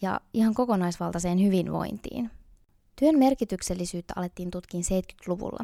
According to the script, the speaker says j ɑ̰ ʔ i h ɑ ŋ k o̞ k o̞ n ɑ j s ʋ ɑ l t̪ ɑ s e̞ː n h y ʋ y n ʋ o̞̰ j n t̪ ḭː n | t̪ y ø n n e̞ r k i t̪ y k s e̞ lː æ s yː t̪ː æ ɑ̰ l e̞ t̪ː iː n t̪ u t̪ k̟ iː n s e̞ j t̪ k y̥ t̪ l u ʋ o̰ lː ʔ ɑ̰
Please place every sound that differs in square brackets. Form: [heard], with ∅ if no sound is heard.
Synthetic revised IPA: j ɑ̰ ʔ i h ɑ ŋ k o̞ k o̞ n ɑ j s ʋ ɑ l t̪ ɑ s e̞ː n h y ʋ [i] n ʋ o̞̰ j n t̪ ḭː n | t̪ y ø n [m] e̞ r k i t̪ y k s e̞ lː [i] s yː t̪ː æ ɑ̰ l e̞ t̪ː iː n t̪ u t̪ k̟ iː n s e̞ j t̪ k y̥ t̪ l u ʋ [ṵ] lː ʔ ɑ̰